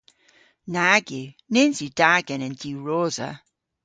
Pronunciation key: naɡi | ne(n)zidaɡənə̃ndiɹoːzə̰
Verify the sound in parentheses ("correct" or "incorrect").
correct